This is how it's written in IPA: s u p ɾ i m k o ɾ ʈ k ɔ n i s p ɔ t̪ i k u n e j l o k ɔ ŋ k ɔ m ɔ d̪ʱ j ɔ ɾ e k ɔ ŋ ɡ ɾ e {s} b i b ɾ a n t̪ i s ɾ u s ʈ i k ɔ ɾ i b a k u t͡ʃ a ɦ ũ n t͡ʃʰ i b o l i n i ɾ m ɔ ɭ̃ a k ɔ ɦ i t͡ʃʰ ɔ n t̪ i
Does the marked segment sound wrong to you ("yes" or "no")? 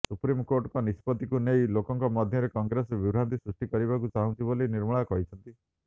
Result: no